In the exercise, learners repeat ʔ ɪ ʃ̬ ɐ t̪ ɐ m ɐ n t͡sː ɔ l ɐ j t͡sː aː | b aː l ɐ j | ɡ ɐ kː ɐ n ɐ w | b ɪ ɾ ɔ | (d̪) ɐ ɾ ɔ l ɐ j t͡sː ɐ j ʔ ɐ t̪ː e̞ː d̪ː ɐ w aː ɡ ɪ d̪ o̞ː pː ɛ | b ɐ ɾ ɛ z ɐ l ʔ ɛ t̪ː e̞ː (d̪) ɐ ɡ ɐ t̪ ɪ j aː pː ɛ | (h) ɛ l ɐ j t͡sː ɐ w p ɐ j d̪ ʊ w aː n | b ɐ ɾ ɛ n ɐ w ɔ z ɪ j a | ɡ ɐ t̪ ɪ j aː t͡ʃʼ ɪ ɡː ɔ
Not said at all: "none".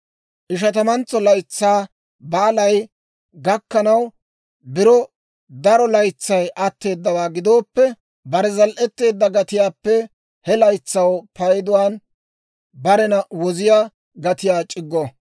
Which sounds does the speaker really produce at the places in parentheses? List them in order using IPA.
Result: d̪, d̪ː, h

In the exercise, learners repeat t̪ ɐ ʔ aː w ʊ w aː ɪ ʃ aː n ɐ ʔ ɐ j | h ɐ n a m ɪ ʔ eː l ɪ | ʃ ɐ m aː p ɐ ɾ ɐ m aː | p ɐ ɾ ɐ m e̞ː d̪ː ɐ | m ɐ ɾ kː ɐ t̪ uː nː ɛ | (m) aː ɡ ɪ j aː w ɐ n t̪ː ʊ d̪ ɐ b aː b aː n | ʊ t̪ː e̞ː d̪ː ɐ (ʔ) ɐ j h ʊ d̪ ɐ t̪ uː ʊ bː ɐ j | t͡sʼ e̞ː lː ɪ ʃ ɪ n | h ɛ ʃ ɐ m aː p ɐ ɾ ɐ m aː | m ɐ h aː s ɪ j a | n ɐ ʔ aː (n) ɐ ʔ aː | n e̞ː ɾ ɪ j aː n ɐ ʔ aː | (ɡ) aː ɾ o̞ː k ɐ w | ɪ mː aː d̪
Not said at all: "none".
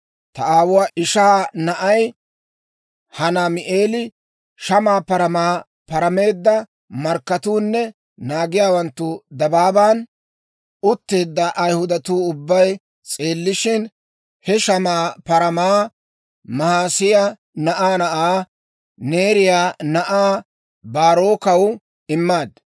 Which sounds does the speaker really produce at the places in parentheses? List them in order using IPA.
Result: n, ʔ, n, b

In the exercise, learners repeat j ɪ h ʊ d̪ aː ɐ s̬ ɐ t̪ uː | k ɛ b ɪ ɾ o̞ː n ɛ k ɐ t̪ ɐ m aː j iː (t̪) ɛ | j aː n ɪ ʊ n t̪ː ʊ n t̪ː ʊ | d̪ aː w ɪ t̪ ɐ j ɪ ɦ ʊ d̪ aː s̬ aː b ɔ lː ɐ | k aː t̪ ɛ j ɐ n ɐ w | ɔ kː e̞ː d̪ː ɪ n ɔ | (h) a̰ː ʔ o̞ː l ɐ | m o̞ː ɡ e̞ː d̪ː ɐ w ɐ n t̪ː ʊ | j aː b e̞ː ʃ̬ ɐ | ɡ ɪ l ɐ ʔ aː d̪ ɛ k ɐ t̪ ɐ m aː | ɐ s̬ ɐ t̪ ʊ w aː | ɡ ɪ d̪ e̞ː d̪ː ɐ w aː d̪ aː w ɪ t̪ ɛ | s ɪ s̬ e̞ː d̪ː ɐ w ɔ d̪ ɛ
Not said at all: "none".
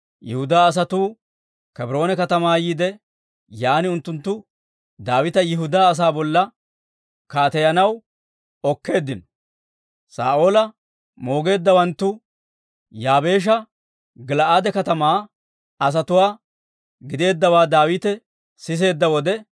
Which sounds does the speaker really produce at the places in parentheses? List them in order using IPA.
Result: d̪, s

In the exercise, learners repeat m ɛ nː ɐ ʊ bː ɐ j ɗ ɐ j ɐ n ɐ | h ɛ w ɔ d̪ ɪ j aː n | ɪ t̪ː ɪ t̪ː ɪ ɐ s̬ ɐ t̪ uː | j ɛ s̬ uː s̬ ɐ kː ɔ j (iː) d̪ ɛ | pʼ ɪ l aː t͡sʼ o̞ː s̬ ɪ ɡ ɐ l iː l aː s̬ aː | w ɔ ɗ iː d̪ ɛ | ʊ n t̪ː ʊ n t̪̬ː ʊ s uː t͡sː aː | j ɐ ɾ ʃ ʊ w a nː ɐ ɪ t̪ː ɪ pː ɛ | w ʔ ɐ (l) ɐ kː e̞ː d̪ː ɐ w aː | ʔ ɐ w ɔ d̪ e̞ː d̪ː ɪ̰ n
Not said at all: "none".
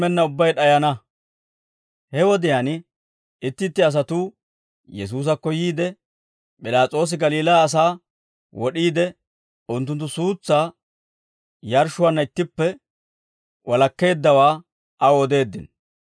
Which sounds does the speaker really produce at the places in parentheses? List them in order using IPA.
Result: iː, l

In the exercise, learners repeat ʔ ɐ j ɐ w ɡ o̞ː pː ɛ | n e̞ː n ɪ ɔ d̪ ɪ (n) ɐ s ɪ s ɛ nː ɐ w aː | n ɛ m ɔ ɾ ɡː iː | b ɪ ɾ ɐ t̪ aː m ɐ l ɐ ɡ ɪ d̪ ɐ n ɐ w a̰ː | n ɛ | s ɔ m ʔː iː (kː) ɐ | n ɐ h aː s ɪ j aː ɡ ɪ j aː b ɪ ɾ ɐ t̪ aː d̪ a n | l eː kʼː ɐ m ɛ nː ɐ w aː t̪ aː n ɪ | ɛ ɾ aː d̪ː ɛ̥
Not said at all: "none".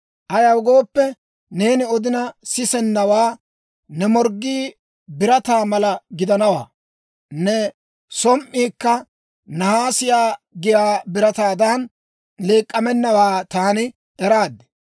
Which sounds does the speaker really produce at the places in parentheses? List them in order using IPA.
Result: n, kː

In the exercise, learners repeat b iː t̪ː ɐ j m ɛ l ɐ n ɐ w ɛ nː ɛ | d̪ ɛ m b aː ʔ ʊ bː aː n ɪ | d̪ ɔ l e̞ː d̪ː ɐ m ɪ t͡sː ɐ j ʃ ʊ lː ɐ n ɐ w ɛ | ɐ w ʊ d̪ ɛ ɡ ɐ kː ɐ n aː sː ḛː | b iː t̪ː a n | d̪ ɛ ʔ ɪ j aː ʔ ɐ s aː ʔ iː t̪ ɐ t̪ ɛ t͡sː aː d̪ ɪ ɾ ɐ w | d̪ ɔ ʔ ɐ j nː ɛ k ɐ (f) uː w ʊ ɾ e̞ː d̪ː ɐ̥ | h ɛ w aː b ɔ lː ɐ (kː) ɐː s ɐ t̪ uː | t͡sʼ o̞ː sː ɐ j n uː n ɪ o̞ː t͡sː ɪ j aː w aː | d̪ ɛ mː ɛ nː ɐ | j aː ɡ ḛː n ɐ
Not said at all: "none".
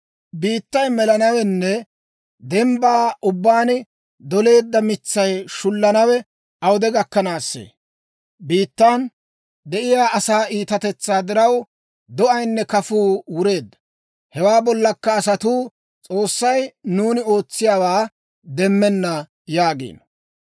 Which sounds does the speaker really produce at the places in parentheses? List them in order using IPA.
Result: f, kː

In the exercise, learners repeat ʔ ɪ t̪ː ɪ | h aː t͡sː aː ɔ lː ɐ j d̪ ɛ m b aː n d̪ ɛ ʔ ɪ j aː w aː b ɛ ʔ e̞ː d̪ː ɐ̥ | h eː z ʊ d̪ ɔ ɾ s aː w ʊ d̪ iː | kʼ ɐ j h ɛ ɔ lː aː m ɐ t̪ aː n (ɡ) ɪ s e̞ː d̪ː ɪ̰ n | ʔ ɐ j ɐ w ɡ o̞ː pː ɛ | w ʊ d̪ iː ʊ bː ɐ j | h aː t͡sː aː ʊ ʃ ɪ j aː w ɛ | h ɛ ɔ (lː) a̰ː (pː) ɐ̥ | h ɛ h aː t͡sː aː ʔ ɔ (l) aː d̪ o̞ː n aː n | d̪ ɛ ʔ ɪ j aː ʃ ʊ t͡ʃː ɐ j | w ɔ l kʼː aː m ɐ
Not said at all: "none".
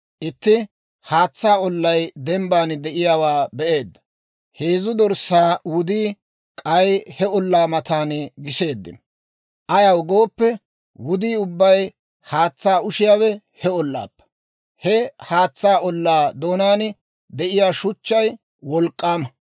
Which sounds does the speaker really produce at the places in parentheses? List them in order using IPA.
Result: ɡ, lː, pː, lː

